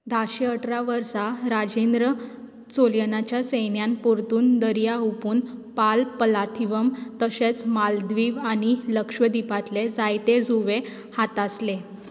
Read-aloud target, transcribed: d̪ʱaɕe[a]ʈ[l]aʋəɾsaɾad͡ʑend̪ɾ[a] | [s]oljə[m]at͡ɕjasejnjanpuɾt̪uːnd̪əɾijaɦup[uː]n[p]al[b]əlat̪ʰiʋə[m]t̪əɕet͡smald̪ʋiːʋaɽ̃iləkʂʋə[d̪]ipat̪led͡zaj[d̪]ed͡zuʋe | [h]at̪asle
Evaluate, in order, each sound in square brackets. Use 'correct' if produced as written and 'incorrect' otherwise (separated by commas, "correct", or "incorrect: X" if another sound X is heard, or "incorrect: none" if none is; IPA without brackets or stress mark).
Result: incorrect: ə, incorrect: ɾ, incorrect: ə, incorrect: t͡s, incorrect: n, correct, correct, incorrect: p, correct, correct, incorrect: t̪, correct